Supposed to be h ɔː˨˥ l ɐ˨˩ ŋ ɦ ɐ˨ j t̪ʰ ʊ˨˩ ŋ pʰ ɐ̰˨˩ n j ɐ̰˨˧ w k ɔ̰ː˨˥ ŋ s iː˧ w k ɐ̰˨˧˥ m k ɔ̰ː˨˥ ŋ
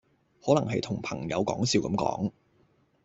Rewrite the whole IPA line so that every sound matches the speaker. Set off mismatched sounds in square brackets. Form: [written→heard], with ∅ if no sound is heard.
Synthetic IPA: h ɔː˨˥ l ɐ˨˩ ŋ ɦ ɐ˨ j t̪ʰ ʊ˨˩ ŋ pʰ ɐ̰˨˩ [n→ŋ] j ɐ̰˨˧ w k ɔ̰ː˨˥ ŋ s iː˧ w k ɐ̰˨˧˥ m k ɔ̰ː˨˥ ŋ